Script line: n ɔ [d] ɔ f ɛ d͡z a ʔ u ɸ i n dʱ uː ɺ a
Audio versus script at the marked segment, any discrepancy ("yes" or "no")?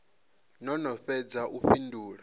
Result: yes